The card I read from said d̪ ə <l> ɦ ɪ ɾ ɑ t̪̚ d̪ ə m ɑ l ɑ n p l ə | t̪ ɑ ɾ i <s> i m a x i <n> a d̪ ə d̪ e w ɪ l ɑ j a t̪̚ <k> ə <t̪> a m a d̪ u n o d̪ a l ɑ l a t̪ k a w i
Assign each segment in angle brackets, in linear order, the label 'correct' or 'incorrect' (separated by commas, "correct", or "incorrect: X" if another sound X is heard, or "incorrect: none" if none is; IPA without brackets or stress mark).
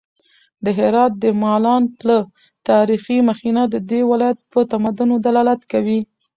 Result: incorrect: none, incorrect: x, correct, incorrect: p, correct